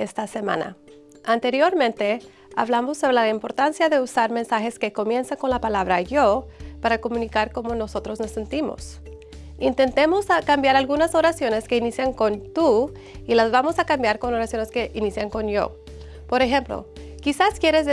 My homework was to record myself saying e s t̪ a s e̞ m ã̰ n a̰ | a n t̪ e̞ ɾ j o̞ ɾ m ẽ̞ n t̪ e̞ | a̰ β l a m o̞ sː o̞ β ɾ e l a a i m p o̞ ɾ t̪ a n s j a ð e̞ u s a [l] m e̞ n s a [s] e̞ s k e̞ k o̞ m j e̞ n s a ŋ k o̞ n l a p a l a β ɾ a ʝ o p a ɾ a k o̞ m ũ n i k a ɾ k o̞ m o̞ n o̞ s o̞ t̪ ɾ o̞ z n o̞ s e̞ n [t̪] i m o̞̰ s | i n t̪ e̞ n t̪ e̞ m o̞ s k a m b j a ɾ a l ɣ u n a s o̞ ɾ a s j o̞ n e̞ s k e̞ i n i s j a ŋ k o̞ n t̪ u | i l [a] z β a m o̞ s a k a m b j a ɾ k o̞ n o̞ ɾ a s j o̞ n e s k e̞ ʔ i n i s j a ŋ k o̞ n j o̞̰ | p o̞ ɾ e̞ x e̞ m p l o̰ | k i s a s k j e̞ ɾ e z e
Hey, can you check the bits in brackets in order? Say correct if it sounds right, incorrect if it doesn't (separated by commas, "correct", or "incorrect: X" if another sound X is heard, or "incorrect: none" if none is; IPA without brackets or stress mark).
incorrect: ɾ, incorrect: x, correct, correct